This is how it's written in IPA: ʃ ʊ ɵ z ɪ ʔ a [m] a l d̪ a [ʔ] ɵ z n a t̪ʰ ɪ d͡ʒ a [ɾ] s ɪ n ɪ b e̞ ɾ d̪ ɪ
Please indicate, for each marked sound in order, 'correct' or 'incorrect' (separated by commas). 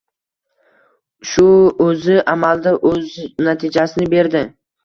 correct, correct, incorrect